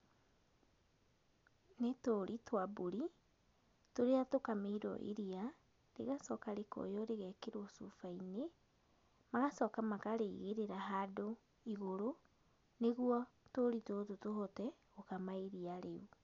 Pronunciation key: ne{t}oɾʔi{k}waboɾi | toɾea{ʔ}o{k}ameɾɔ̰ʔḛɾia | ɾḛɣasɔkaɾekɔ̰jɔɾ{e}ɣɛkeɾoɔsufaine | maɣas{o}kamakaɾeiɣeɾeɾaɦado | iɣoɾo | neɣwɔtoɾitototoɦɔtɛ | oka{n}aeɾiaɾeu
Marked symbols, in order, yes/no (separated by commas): yes, no, no, yes, yes, no, no